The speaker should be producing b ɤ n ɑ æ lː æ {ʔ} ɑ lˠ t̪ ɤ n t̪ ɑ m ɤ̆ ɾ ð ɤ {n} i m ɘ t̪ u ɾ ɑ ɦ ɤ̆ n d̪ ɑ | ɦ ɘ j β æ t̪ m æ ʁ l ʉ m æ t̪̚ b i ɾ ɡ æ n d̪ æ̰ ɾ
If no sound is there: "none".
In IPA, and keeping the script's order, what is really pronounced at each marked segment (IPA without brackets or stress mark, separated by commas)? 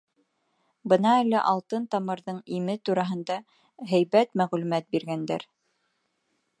ʔ, ɴ